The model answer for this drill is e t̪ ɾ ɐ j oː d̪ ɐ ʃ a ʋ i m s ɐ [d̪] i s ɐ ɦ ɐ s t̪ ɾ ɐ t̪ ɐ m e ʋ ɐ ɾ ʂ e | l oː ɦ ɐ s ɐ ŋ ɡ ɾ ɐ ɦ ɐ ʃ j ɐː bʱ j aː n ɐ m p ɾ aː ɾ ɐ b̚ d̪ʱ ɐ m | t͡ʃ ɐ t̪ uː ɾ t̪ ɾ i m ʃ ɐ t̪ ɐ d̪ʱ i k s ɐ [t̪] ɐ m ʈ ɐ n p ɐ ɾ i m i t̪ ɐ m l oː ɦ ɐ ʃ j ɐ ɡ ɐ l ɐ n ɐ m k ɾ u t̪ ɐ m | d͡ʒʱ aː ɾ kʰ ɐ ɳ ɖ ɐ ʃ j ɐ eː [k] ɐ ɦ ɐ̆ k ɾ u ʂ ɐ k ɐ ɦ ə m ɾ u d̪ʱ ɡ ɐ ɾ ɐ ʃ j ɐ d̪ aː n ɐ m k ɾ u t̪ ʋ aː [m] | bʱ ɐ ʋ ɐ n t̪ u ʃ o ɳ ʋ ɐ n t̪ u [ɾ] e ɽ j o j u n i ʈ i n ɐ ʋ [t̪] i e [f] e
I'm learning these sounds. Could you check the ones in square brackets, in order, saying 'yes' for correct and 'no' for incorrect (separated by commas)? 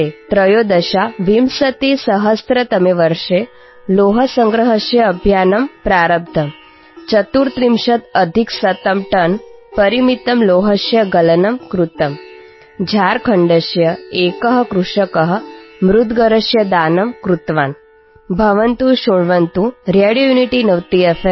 no, yes, yes, no, yes, yes, yes